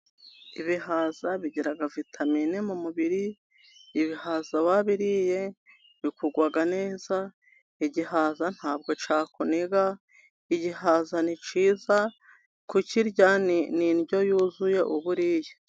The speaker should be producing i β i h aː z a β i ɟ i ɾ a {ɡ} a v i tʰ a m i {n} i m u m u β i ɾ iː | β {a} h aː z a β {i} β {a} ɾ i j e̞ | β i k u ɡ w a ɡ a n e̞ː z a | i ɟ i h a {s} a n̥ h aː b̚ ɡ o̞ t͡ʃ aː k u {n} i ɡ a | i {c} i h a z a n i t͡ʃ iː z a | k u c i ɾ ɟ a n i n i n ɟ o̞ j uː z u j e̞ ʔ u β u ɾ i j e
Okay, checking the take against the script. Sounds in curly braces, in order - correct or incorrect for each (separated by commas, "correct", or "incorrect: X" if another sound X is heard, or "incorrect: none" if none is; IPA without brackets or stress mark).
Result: correct, correct, incorrect: i, incorrect: a, incorrect: i, incorrect: z, correct, incorrect: ɟ